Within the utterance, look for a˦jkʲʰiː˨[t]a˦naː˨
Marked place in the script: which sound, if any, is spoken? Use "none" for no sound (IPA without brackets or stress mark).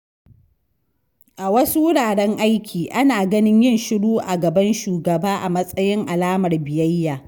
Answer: ʔ